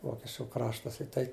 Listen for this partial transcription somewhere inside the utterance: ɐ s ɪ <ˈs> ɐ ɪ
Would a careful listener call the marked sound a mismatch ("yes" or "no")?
yes